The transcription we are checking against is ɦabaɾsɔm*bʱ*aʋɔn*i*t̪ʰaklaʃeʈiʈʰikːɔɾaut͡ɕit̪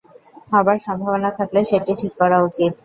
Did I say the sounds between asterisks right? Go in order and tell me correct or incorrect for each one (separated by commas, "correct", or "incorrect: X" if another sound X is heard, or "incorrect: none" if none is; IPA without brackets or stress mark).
correct, incorrect: a